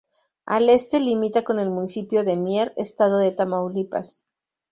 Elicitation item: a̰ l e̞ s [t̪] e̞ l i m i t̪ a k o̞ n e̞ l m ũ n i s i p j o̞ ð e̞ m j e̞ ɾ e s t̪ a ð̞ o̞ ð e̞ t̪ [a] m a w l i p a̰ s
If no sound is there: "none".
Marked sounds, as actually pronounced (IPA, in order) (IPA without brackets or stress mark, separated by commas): t̪, a